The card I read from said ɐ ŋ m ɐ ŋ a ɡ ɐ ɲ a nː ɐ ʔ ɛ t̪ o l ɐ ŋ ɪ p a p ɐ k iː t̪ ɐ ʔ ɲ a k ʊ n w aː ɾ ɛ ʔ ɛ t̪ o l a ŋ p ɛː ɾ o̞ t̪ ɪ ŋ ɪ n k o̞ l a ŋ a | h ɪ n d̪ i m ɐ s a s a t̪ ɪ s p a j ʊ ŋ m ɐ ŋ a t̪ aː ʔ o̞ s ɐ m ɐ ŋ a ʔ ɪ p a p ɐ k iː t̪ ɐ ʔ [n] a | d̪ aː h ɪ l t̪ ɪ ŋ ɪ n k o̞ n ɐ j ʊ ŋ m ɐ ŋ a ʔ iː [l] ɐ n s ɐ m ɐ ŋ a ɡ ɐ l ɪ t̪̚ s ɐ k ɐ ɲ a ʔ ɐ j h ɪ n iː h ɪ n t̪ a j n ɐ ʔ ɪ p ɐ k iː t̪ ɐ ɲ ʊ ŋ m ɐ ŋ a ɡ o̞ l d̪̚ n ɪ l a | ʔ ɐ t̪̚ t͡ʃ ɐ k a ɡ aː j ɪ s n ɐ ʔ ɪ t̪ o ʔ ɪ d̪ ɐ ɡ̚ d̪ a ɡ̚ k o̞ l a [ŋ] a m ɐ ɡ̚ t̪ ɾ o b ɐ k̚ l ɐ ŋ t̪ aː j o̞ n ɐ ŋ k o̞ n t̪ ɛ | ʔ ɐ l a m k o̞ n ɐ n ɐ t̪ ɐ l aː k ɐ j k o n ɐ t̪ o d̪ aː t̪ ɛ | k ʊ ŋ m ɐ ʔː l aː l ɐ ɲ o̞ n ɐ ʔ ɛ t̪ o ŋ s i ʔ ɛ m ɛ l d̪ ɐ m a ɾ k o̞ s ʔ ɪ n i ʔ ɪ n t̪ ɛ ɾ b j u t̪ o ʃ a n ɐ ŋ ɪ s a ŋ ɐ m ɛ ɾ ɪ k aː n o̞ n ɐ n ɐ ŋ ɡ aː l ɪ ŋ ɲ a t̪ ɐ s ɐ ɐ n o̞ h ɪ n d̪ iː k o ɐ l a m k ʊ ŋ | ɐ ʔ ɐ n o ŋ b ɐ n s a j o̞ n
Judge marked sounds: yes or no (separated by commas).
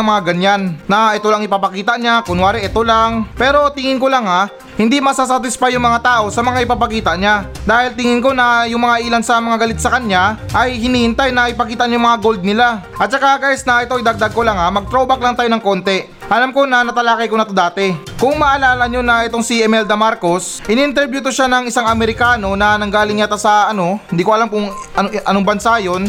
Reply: no, yes, yes